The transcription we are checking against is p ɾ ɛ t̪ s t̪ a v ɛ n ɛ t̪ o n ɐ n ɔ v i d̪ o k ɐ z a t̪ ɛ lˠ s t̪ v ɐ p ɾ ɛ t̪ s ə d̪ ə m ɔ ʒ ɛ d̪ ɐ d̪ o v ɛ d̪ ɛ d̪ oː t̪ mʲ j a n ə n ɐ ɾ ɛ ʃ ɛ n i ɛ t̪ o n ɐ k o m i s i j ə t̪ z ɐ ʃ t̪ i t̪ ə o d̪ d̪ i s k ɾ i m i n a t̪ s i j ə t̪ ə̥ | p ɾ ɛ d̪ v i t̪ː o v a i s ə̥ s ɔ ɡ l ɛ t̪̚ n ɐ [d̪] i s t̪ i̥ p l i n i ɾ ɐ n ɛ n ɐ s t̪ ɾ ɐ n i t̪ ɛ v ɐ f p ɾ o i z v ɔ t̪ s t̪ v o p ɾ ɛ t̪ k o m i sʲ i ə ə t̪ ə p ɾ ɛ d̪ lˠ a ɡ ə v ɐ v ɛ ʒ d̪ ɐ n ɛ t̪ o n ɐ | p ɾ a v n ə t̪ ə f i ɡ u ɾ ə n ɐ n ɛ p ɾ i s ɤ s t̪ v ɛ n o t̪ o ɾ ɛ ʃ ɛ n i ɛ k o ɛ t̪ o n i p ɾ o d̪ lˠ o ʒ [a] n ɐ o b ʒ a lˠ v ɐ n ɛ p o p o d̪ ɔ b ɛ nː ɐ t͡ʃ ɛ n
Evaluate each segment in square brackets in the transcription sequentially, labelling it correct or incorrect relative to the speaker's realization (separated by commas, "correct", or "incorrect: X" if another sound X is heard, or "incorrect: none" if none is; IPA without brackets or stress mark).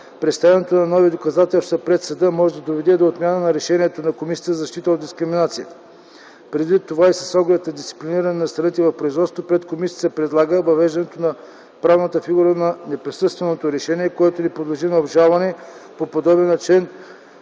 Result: correct, incorrect: i